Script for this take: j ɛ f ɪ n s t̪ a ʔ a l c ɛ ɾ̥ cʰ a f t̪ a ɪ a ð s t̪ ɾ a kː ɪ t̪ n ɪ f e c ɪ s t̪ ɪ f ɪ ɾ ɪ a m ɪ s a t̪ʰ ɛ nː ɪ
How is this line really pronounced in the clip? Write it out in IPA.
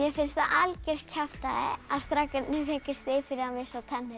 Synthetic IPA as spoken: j ɛ f ɪ n s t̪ a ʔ a l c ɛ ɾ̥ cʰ a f t̪ a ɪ a ð s t̪ ɾ a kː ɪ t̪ n ɪ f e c ɪ s t̪ ɪ f ɪ ɾ ɪ a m ɪ s a t̪ʰ ɛ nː ɪ